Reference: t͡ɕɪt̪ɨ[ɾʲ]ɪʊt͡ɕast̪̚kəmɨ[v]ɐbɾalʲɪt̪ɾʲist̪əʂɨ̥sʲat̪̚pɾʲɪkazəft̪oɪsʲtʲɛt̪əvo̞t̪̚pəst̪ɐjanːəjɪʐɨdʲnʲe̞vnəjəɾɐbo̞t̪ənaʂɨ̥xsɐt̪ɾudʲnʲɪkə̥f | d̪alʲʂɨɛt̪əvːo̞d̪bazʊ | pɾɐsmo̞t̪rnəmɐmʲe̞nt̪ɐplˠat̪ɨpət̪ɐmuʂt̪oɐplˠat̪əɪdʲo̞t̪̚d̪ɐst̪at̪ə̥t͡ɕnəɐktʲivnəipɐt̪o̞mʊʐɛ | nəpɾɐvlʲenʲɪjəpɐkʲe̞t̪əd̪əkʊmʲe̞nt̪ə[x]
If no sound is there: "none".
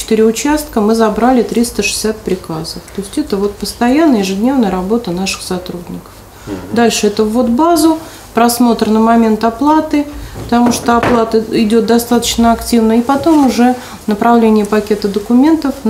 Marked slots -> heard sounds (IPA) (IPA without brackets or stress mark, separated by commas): ɾʲ, z, f